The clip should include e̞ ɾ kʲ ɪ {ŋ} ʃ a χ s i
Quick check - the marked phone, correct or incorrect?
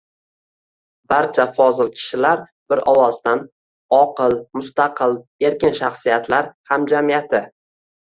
incorrect